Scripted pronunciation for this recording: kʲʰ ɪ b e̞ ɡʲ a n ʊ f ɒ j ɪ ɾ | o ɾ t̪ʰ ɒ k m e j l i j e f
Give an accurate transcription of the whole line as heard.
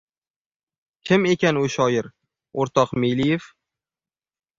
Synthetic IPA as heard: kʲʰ ɪ m e̞ kʲ a n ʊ ʃ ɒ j ɪ ɾ | o ɾ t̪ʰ ɒ q m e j l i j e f